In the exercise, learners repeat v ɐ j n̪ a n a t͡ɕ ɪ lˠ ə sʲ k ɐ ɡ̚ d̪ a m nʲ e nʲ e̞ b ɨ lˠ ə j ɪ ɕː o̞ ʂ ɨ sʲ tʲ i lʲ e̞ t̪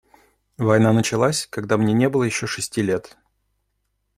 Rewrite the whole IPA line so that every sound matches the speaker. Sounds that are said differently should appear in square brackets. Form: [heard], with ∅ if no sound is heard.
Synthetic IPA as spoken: v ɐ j n̪ a n [ə] t͡ɕ ɪ lˠ [a] sʲ k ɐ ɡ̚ d̪ a m nʲ e nʲ e̞ b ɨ lˠ ə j ɪ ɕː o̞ ʂ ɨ sʲ tʲ i lʲ e̞ t̪